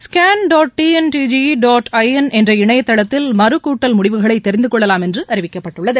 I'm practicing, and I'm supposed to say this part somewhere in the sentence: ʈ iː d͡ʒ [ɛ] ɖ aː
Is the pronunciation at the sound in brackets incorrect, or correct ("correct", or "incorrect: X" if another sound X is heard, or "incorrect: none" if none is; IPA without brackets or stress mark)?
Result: incorrect: i